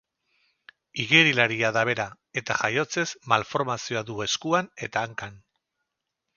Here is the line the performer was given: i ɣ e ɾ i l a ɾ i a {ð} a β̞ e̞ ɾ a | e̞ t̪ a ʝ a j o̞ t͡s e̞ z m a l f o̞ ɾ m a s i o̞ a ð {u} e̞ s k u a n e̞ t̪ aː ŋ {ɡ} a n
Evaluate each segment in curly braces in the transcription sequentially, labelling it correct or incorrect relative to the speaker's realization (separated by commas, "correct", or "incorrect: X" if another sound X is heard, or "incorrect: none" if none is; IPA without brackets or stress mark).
correct, correct, incorrect: k